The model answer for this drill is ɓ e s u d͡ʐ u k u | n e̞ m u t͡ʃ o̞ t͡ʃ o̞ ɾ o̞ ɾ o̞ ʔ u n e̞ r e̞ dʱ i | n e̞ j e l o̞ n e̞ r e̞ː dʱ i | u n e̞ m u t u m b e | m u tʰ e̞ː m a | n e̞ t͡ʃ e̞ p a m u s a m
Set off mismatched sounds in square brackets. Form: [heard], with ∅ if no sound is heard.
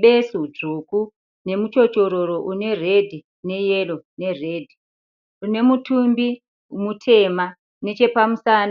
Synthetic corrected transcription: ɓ e s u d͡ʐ u k u | n e̞ m u t͡ʃ o̞ t͡ʃ o̞ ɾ o̞ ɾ o̞ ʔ u n e̞ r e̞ dʱ i | n e̞ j e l o̞ n e̞ r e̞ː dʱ i | u n e̞ m u t u m b [i] | m u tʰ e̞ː m a | n e̞ t͡ʃ e̞ p a m u s a [n]